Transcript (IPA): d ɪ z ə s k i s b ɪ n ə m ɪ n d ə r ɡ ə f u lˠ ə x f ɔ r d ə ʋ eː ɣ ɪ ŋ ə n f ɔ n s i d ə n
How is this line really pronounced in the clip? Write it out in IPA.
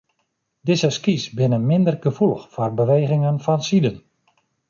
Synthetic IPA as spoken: d ɪ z ə s k i s b ɪ n ə m ɪ n d ə r ɡ ə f u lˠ ə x f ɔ r b ə ʋ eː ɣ ɪ ŋ ə n f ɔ n s i d ə n